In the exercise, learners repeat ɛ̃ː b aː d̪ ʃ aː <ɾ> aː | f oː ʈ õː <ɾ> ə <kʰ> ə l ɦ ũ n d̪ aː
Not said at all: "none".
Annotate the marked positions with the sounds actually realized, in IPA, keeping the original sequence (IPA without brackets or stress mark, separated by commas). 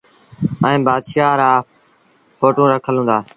ɾ, ɾ, kʰ